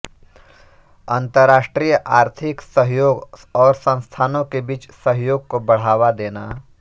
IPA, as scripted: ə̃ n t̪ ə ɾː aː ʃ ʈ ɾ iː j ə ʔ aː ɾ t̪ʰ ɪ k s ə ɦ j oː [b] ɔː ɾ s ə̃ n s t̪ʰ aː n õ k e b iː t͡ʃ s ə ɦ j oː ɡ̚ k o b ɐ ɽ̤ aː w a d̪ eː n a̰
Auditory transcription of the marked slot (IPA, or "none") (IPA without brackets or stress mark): ɡ